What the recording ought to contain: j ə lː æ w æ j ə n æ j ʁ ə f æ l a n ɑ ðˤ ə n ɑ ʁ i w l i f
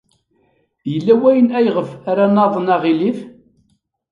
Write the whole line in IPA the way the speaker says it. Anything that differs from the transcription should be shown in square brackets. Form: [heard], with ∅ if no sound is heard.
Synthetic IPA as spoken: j ə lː æ w æ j ə n æ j ʁ ə f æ [ɾ] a n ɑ ðˤ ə n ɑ ʁ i [∅] l i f